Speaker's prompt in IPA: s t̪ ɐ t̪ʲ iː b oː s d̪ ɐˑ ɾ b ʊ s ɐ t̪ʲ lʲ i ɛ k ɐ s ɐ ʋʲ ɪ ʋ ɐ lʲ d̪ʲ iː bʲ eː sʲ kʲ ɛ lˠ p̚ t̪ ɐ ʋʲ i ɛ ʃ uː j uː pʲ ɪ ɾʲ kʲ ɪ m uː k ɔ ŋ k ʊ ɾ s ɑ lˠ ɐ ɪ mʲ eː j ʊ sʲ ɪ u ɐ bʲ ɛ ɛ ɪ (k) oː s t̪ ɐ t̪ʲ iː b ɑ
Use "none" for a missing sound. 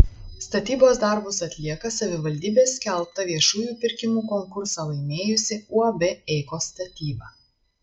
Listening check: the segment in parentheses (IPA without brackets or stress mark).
k